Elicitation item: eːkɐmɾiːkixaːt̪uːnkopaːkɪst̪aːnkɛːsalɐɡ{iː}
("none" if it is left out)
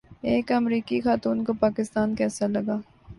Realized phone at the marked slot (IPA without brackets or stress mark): aː